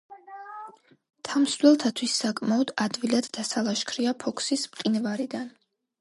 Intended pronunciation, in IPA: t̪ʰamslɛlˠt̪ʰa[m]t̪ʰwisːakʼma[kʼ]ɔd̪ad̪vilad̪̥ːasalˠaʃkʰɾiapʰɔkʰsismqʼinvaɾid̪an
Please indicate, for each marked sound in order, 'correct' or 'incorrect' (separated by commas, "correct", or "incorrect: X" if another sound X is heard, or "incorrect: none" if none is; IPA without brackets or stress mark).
incorrect: none, incorrect: none